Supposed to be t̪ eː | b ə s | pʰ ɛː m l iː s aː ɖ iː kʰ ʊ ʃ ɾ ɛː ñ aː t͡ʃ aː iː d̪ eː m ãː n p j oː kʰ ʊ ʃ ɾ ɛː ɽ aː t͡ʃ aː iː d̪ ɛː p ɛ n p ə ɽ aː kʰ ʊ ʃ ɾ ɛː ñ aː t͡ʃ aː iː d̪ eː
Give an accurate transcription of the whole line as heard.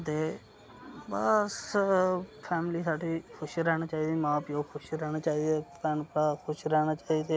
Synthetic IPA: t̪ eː | b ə s | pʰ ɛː m l iː s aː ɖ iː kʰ ʊ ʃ ɾ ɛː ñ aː t͡ʃ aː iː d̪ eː m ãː p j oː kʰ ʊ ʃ ɾ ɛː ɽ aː t͡ʃ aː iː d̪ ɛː p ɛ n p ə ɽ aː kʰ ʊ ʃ ɾ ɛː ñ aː t͡ʃ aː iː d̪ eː